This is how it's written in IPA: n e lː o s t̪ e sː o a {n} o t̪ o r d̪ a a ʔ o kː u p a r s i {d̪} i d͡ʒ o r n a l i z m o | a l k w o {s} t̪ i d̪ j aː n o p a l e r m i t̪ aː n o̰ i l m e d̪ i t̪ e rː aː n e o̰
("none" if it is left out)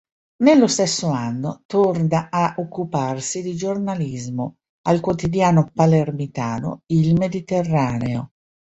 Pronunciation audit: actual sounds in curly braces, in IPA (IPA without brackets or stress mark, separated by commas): nː, d̪, none